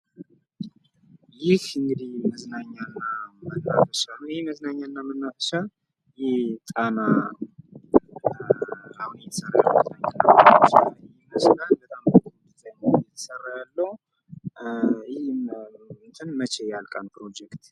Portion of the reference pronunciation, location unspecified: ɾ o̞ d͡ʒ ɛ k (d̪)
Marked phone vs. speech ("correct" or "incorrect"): incorrect